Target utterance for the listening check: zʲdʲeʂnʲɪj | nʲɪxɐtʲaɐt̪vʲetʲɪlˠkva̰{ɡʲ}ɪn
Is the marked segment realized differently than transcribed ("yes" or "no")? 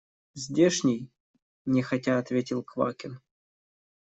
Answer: yes